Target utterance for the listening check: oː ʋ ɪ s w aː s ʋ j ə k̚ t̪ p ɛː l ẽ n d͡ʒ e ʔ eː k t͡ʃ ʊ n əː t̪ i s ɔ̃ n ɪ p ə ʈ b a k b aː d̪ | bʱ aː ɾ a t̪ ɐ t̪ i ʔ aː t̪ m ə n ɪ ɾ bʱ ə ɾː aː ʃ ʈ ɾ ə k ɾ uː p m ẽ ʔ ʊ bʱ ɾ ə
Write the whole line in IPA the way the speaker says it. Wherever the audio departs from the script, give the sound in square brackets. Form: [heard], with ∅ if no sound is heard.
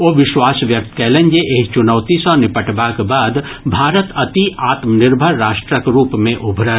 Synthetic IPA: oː ʋ ɪ [ʃ] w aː s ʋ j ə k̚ t̪ [k] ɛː l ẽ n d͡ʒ e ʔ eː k t͡ʃ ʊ n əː t̪ i s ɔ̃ n ɪ p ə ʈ b a k b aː d̪ | bʱ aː ɾ [ə] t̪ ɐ t̪ i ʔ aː t̪ m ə n ɪ ɾ bʱ ə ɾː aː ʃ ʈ ɾ ə k ɾ uː p m ẽ ʔ ʊ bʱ ɾ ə